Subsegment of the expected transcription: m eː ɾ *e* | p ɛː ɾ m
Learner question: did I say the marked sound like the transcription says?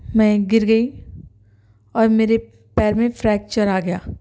yes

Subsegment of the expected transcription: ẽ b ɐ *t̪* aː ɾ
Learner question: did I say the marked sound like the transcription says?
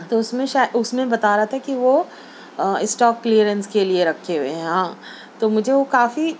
yes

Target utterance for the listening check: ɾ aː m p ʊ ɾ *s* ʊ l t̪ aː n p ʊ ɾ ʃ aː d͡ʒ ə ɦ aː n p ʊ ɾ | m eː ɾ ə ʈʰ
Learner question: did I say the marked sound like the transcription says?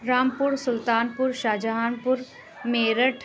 yes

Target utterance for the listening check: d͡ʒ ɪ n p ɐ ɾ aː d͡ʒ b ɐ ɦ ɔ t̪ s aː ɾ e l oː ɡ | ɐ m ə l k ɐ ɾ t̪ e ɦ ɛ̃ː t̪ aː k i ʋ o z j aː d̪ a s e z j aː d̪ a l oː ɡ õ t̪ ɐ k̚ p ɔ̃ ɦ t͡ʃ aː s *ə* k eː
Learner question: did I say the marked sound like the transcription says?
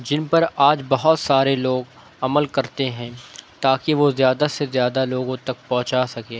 no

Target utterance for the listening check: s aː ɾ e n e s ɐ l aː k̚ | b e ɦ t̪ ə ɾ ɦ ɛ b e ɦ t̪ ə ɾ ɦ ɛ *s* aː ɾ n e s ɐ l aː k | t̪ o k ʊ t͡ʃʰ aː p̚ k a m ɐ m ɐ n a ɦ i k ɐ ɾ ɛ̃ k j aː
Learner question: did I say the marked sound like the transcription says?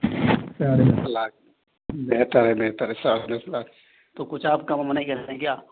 yes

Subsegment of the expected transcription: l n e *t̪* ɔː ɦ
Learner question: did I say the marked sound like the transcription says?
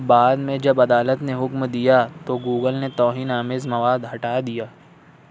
yes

